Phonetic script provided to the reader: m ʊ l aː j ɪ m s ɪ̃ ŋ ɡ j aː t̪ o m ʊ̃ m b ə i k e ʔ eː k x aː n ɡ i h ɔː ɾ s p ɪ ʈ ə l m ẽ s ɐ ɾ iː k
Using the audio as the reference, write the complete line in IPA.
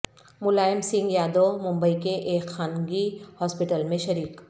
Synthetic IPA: m ʊ l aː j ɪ m s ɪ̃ ŋ ɡ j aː d̪ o m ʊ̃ m b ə i k e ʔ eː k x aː n ɡ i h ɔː s p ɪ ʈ ə l m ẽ ʃ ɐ ɾ iː k